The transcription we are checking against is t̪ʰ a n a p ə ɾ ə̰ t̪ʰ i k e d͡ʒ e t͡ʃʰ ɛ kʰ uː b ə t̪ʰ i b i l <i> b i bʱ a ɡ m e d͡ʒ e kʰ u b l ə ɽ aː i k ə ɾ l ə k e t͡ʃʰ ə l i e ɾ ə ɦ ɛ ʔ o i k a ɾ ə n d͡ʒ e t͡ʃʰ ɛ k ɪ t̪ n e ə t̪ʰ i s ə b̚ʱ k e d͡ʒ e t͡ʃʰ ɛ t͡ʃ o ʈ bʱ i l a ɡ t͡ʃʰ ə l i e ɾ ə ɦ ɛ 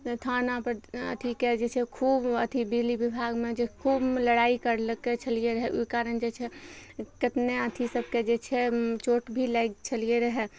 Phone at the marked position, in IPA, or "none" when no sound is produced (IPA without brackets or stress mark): i